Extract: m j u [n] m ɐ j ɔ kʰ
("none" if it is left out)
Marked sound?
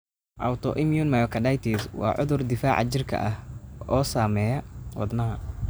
n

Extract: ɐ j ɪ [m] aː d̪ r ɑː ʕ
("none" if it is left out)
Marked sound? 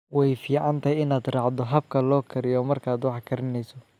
n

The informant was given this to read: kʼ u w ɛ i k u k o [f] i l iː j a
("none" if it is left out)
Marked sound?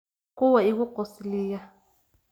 s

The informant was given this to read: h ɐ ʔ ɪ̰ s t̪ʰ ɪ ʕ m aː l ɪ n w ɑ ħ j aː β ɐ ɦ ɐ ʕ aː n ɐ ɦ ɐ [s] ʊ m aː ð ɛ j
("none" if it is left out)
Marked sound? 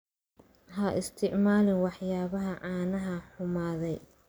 ħ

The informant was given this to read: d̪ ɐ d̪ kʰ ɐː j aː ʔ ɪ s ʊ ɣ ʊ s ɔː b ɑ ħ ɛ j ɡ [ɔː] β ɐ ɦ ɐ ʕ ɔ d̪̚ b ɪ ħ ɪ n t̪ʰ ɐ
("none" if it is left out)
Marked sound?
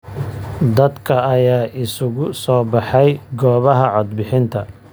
ɔː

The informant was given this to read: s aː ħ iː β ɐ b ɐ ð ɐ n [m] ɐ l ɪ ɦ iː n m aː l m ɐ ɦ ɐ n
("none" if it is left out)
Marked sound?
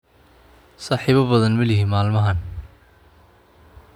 m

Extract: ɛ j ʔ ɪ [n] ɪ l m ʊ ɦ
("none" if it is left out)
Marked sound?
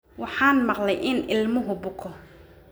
n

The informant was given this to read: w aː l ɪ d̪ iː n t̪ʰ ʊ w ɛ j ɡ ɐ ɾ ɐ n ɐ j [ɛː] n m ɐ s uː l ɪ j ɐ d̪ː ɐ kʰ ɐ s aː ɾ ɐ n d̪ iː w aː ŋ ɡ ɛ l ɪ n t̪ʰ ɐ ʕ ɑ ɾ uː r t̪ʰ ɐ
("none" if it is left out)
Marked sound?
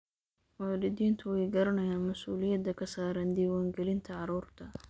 aː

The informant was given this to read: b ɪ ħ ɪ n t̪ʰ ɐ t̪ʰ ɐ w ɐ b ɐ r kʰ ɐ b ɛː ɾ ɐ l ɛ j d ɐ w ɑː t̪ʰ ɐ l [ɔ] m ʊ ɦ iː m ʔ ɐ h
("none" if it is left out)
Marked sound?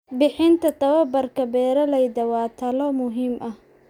ɔ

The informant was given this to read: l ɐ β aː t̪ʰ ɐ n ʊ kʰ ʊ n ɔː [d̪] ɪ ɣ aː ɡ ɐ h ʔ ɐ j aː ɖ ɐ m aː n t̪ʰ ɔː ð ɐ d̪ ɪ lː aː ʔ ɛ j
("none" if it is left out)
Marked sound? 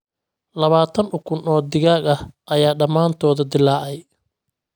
d̪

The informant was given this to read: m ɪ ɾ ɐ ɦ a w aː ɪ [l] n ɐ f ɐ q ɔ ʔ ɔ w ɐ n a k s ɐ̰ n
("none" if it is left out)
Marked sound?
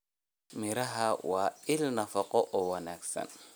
l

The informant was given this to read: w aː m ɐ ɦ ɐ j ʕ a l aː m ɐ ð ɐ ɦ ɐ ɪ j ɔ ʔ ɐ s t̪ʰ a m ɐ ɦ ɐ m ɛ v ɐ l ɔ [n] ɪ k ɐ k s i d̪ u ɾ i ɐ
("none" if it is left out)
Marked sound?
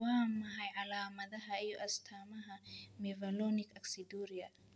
n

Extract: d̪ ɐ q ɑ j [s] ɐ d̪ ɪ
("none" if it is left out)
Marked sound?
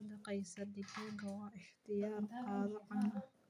s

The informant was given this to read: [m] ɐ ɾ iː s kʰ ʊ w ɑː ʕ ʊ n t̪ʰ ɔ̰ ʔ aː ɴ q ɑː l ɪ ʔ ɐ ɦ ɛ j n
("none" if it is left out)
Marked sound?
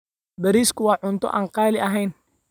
b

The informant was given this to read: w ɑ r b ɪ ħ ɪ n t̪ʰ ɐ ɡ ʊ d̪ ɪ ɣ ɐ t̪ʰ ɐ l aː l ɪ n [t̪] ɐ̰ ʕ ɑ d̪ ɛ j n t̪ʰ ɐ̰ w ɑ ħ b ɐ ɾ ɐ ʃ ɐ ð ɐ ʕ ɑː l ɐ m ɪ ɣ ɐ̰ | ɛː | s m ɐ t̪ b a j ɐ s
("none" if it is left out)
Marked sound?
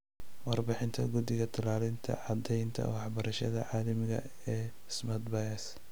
t̪ʰ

